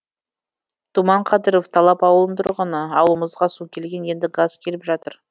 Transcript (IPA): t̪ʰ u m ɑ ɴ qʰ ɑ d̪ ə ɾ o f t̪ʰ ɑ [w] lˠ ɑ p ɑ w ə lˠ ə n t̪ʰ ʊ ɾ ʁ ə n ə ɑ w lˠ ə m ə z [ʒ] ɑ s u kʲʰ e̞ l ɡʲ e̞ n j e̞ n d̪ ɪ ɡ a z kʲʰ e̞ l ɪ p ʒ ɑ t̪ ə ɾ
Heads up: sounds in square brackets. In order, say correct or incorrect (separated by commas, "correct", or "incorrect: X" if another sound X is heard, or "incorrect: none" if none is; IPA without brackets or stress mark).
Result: incorrect: none, incorrect: ʁ